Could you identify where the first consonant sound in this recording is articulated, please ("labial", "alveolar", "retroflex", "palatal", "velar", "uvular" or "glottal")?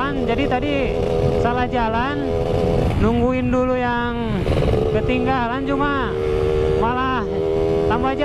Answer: alveolar